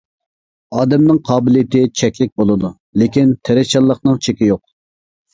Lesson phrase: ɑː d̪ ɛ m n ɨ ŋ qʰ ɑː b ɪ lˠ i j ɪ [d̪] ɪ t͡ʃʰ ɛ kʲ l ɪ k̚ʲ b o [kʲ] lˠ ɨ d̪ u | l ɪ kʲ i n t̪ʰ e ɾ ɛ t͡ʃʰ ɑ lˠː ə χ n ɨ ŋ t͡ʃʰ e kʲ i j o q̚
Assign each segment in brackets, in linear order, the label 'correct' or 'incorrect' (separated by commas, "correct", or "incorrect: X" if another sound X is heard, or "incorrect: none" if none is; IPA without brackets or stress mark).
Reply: incorrect: t̪, incorrect: none